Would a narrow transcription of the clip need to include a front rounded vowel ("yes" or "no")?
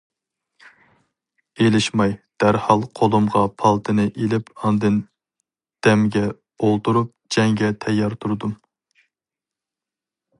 no